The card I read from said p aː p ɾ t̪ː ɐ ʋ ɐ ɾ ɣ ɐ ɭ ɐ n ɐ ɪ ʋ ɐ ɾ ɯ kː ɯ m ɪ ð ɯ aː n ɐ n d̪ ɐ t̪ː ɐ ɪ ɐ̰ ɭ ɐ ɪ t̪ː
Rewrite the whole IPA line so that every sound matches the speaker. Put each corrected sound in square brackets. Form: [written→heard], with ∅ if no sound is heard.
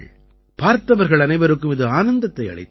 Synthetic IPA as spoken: p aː [p→∅] ɾ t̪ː ɐ ʋ ɐ ɾ ɣ ɐ ɭ ɐ n ɐ ɪ ʋ ɐ ɾ ɯ kː ɯ m ɪ ð ɯ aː n ɐ n d̪ ɐ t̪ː ɐ ɪ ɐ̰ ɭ ɐ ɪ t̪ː